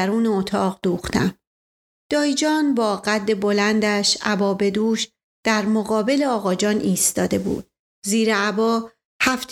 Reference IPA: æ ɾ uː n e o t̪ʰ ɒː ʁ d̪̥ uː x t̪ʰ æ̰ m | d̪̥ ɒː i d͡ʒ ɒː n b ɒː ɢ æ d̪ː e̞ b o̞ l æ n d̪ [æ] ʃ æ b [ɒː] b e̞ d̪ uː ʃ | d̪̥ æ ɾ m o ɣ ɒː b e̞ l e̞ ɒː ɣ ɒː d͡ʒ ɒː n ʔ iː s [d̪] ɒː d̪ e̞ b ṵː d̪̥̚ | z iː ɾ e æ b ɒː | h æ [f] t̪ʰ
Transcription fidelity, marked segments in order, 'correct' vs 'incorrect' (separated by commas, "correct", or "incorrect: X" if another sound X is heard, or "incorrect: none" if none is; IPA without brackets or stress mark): correct, correct, incorrect: t̪, correct